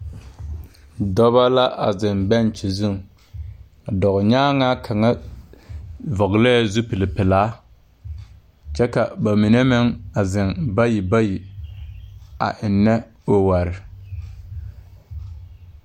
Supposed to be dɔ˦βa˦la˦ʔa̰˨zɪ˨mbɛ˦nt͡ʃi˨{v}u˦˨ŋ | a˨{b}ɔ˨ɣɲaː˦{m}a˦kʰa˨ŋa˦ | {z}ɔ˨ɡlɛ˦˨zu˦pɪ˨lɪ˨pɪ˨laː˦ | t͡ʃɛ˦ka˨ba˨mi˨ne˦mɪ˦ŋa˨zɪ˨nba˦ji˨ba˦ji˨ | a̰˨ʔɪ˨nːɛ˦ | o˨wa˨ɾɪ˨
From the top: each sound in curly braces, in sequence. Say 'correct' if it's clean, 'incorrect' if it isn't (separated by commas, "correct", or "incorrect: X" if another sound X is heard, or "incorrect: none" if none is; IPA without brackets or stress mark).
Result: incorrect: z, incorrect: d, incorrect: ŋ, incorrect: v